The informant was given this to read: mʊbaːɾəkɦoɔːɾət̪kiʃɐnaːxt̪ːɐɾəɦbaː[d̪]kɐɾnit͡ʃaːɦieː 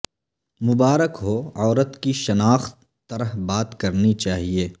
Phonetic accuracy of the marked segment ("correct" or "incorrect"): incorrect